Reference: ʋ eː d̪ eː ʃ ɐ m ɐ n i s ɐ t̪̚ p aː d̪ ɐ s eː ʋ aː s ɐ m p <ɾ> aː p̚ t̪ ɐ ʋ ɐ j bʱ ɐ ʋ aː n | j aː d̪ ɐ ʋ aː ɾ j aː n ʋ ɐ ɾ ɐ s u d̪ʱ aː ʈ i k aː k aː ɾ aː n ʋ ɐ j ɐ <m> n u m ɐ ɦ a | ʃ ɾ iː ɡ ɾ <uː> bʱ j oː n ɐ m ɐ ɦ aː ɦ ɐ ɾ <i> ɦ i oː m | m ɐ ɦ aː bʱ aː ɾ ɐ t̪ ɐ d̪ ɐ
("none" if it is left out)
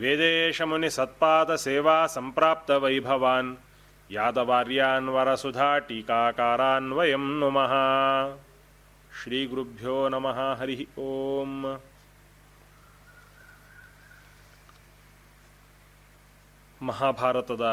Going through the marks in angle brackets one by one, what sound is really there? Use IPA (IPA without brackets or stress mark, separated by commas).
ɾ, m, u, i